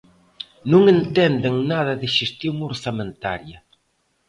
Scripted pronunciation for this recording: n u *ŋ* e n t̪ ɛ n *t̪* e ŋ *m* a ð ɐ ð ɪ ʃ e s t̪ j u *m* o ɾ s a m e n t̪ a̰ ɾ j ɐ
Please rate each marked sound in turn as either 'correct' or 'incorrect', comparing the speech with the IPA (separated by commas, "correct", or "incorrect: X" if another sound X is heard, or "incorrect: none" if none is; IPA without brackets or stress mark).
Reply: correct, incorrect: d̪, incorrect: n, incorrect: ŋ